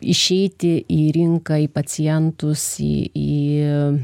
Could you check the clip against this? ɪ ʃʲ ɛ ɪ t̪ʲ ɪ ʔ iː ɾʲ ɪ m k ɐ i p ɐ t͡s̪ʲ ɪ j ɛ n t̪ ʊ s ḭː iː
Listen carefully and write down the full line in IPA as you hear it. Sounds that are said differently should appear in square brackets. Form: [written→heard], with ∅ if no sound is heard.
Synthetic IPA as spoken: ɪ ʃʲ ɛ ɪ t̪ʲ ɪ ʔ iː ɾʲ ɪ [m→ŋ] k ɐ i p ɐ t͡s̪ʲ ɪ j ɛ n t̪ ʊ s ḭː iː